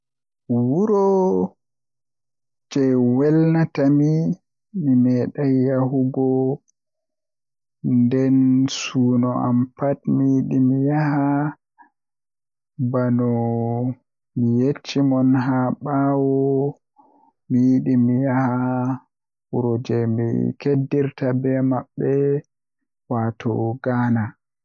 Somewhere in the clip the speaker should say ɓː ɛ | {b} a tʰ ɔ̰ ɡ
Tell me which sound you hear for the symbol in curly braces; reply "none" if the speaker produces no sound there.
w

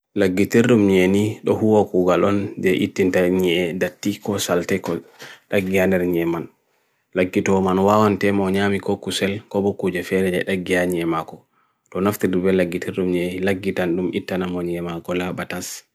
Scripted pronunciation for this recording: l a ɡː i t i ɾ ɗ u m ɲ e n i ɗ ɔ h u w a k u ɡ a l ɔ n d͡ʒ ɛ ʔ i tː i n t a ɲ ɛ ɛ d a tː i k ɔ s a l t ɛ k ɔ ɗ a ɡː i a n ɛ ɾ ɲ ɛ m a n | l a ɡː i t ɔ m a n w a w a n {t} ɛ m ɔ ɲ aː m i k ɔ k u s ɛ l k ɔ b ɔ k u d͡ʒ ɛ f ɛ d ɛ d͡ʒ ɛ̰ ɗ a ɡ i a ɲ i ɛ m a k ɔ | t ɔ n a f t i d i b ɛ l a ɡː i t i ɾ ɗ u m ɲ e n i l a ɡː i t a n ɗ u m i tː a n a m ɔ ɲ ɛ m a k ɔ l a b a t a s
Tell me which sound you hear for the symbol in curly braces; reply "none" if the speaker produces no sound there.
t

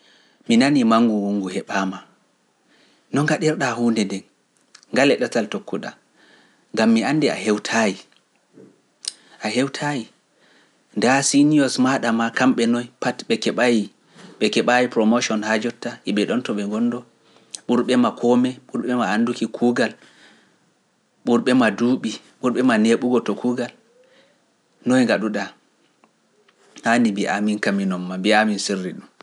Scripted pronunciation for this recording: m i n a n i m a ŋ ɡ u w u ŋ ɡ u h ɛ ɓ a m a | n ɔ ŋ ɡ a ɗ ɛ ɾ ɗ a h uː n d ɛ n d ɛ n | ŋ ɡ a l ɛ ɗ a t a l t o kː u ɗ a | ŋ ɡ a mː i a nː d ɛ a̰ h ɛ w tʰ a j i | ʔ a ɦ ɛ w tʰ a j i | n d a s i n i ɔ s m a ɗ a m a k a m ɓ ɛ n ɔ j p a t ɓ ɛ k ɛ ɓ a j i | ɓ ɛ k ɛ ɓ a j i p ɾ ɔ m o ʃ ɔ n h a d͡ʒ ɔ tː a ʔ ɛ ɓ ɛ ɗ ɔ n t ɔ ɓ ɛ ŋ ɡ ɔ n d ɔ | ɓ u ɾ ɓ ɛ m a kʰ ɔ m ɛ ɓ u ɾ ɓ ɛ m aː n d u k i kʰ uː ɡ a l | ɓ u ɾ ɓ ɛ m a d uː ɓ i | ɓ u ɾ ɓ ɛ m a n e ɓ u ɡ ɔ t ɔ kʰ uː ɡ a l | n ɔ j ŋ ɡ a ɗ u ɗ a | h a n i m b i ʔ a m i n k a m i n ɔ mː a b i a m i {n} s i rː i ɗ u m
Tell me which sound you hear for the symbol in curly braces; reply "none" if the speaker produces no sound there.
n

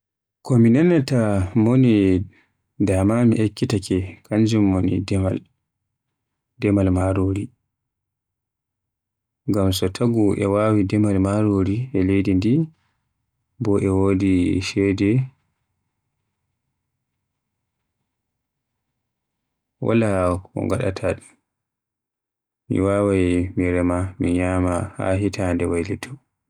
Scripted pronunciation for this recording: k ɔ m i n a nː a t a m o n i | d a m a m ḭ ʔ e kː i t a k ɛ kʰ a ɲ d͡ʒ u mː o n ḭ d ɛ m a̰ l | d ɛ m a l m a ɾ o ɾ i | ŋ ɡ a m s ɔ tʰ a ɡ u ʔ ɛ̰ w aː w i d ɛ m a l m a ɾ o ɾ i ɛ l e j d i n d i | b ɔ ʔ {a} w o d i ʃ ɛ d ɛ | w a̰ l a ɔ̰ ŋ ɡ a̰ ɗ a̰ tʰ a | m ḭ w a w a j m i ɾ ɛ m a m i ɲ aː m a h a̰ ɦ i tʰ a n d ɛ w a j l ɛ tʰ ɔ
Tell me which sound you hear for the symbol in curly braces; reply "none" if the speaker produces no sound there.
ɛ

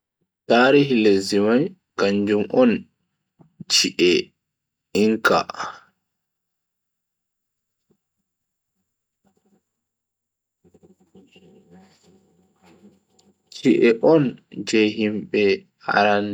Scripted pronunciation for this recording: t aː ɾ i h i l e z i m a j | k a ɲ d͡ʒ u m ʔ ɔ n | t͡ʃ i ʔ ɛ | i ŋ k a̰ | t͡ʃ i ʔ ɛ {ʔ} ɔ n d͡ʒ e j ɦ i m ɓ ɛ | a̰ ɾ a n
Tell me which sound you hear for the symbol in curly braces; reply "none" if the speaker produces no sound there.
ʔ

